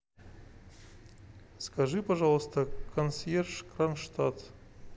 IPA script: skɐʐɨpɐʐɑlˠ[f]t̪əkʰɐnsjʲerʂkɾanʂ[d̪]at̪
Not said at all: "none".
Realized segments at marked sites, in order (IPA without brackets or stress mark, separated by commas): s, t̪